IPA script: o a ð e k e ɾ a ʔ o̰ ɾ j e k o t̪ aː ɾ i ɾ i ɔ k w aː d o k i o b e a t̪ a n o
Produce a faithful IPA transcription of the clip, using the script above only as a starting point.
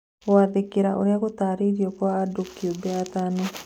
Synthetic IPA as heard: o a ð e k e ɾ a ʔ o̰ ɾ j a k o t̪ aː ɾ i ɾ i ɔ k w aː d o k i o b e a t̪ a n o